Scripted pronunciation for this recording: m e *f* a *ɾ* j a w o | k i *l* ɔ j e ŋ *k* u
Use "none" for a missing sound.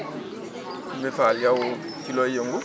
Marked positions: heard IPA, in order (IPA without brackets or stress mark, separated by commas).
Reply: f, l, l, ɡ